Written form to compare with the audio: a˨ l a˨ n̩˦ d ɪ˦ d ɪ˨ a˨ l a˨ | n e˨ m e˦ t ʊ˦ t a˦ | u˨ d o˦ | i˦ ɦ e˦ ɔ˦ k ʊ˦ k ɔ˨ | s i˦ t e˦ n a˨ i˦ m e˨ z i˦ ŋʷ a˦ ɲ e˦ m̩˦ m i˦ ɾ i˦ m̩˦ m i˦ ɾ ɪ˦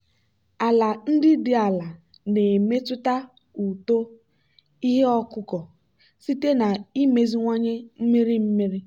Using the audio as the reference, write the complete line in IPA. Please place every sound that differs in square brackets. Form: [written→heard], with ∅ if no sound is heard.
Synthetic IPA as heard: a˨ l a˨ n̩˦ d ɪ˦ d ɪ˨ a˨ l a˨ | n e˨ m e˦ t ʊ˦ t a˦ | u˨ [d→t] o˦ | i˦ ɦ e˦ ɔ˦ k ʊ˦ k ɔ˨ | s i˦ t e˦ n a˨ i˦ m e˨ z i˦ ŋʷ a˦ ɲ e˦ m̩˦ m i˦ ɾ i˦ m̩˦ m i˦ ɾ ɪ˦